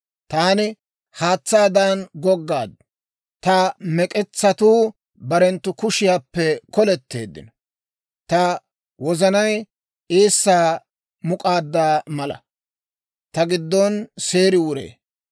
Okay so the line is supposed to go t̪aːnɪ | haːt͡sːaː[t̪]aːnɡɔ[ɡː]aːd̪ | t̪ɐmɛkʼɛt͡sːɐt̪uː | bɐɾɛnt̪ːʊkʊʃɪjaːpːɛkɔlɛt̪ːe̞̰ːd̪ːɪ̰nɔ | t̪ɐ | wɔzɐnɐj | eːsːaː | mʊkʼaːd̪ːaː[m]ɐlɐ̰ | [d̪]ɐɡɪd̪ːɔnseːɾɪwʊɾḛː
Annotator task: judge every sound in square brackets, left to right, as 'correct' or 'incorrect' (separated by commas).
incorrect, correct, correct, incorrect